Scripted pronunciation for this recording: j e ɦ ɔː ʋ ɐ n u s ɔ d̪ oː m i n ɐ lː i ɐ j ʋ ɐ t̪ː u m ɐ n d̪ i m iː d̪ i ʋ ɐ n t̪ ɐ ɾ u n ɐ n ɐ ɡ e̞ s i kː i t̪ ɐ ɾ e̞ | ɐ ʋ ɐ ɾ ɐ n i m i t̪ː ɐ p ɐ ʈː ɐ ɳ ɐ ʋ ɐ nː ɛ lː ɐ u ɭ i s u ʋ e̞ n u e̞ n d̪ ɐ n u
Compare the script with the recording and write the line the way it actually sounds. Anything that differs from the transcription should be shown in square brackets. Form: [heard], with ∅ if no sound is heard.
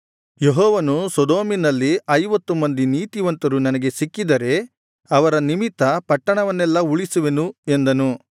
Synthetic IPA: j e ɦ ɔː ʋ ɐ n u s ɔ d̪ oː m i n ɐ lː i ɐ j ʋ ɐ t̪ː u m ɐ n d̪ i [n] iː [t̪] i ʋ ɐ n t̪ ɐ ɾ u n ɐ n ɐ ɡ e̞ s i kː i [d̪] ɐ ɾ e̞ | ɐ ʋ ɐ ɾ ɐ n i m i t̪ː ɐ p ɐ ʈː ɐ ɳ ɐ ʋ ɐ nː ɛ lː ɐ u ɭ i s u ʋ e̞ n u e̞ n d̪ ɐ n u